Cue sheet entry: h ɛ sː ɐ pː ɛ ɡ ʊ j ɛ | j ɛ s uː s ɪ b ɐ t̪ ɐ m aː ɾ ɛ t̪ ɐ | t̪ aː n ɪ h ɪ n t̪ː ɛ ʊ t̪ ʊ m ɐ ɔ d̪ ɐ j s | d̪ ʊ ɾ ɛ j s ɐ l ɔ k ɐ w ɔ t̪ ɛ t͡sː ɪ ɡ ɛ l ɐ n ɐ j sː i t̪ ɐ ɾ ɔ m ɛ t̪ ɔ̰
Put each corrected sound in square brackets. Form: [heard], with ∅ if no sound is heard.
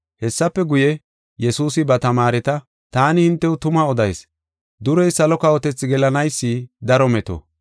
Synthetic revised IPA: h ɛ sː ɐ pː ɛ ɡ ʊ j ɛ | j ɛ s uː s ɪ b ɐ t̪ ɐ m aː ɾ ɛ t̪ ɐ | t̪ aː n ɪ h ɪ n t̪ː ɛ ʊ t̪ ʊ m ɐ ɔ d̪ ɐ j s | d̪ ʊ ɾ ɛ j s ɐ l ɔ k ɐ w ɔ t̪ ɛ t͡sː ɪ ɡ ɛ l ɐ n ɐ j sː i [d̪] ɐ ɾ ɔ m ɛ t̪ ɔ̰